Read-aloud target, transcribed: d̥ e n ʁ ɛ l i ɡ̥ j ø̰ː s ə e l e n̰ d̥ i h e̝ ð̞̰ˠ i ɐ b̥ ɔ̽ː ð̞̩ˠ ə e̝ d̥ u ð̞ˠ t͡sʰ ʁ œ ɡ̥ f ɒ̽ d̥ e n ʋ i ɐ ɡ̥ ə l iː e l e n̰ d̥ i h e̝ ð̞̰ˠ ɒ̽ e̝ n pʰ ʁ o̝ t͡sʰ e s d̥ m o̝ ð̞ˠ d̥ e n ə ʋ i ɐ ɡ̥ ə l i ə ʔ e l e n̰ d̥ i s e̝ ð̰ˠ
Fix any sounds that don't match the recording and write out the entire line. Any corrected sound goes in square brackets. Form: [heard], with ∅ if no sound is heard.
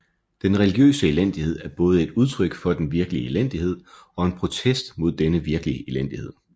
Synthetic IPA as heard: d̥ e n ʁ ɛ l i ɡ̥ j ø̰ː s ə e l e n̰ d̥ i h e̝ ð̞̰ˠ [æ] ɐ b̥ ɔ̽ː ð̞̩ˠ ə e̝ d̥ u ð̞ˠ t͡sʰ ʁ œ ɡ̥ f ɒ̽ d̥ e n ʋ i ɐ ɡ̥ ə l [i] e l e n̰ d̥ i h e̝ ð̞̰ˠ ɒ̽ e̝ n pʰ ʁ o̝ t͡sʰ e s d̥ m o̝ ð̞ˠ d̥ e n ə ʋ i ɐ ɡ̥ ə l i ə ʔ e l e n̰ d̥ i [h] e̝ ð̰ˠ